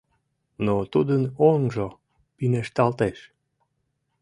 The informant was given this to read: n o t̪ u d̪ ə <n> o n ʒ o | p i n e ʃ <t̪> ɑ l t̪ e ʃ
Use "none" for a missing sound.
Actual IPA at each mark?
n, t̪

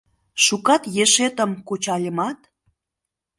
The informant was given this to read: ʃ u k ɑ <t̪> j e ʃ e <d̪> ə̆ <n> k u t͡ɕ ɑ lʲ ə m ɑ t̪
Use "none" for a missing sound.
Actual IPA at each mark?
t̪, t̪, m

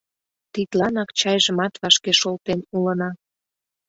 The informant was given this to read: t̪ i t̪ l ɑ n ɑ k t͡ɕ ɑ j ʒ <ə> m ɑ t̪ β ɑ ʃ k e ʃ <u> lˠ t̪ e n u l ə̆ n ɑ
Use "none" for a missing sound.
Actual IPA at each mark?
ə, o

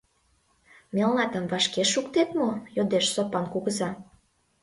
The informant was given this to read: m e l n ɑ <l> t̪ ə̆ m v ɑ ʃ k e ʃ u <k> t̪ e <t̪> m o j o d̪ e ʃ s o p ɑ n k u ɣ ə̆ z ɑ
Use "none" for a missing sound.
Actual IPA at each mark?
none, k, t̪

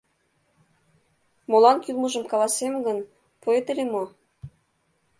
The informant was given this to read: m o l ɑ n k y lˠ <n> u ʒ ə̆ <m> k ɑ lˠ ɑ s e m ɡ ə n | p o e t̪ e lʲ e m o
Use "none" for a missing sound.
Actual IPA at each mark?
m, m

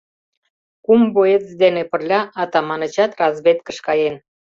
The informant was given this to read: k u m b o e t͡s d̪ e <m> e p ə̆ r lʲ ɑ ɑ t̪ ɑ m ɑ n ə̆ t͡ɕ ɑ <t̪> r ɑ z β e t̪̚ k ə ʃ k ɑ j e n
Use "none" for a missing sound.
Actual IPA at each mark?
n, t̪

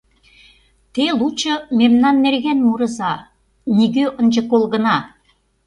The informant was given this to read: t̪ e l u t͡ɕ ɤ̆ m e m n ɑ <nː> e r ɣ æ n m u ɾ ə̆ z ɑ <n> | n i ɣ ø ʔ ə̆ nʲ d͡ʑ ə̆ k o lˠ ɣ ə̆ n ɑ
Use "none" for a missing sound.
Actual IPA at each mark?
nː, none

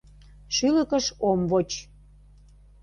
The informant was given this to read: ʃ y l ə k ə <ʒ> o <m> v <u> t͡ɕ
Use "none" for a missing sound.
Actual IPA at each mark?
ʃ, m, o

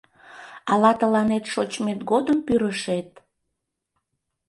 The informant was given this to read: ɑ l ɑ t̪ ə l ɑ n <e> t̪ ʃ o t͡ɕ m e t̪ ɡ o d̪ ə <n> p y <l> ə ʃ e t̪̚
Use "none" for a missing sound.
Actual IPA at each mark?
e, m, ɾ

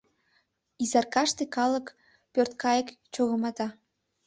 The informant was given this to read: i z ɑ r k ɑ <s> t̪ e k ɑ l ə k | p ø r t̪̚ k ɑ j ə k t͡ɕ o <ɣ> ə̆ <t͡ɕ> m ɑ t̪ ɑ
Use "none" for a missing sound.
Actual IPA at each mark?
ʃ, ɣ, none

